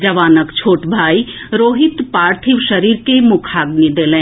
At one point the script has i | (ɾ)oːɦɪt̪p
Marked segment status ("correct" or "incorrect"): correct